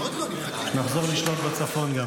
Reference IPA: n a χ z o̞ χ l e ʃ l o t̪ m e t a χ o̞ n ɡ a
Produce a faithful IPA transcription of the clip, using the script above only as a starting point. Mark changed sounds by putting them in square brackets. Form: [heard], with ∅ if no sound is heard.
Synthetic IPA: n a χ z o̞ [ʁ] l [i] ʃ l o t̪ [b] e [t͡s] a [f] o̞ n ɡ a